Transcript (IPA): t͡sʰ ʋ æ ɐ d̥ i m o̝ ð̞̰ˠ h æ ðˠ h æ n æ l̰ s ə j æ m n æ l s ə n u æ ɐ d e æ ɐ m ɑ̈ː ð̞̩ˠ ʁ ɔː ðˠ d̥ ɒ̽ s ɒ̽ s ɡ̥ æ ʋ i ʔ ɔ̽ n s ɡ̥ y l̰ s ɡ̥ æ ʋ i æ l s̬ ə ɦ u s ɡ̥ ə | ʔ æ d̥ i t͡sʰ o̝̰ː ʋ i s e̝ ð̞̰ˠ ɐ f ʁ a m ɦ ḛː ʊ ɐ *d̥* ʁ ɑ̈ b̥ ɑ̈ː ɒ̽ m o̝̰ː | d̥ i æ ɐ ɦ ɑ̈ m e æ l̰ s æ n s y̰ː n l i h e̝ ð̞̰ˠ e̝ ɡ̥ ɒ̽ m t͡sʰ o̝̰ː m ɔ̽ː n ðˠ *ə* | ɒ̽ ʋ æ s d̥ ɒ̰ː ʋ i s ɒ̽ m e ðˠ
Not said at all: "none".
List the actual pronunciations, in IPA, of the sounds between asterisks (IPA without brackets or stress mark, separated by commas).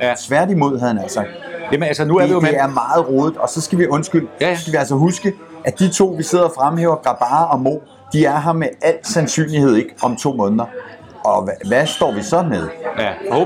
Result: ɡ̥, ɐ